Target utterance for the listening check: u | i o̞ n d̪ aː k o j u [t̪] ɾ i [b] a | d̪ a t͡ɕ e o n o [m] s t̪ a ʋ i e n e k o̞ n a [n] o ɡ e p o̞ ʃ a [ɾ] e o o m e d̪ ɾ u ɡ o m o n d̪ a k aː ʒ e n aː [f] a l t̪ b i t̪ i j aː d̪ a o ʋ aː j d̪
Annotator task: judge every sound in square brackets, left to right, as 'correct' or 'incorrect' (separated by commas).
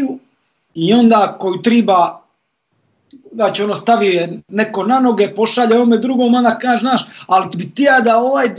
correct, correct, incorrect, correct, incorrect, incorrect